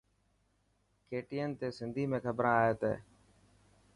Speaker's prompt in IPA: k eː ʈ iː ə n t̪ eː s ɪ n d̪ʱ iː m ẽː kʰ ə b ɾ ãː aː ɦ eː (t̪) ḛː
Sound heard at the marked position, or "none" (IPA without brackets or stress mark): t̪